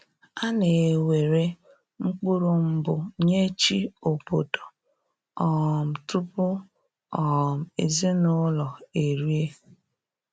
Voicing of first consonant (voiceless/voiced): voiced